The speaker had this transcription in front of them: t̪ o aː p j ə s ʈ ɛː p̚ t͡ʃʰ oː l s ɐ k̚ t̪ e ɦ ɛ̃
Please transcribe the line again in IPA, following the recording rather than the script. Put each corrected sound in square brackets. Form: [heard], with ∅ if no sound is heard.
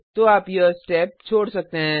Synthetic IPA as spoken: t̪ o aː p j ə s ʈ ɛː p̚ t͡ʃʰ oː [ɽ] s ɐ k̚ t̪ e ɦ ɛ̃